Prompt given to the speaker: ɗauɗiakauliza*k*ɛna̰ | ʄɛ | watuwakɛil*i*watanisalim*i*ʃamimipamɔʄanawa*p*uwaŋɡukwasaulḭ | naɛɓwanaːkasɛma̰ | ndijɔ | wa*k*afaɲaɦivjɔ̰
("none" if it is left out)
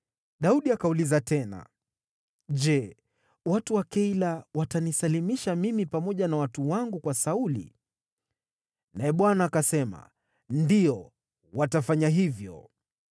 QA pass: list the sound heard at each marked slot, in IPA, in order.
t, a, i, t, t

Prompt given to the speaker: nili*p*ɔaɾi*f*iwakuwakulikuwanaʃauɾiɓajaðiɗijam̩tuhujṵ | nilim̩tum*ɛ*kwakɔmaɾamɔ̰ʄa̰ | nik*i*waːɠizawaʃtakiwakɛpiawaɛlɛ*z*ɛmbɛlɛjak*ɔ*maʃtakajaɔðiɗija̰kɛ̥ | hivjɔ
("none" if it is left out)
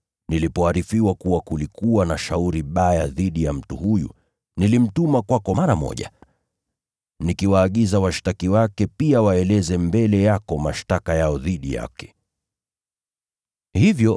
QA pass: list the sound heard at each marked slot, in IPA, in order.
p, f, a, i, z, ɔ

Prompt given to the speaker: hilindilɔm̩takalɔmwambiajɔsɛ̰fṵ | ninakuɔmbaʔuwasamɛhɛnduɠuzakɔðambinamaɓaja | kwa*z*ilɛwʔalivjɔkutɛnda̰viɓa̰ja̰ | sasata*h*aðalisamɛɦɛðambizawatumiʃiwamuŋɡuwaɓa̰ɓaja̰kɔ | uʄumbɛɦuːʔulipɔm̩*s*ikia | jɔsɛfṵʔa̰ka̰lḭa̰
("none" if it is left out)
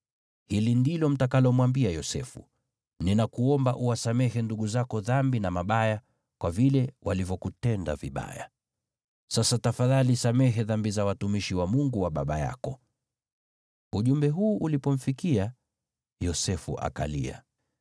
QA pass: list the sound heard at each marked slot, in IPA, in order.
v, f, f

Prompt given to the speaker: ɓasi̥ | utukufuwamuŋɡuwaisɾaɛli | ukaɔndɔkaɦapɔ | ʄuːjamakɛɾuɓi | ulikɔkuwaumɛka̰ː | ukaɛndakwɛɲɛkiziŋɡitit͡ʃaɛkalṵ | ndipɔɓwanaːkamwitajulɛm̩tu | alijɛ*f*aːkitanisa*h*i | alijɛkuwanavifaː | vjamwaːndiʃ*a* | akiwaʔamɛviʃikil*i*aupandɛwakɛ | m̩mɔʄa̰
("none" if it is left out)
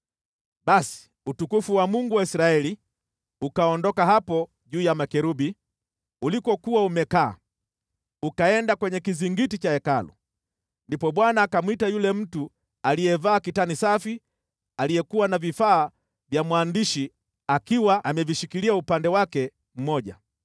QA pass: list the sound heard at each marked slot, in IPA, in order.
v, f, i, i

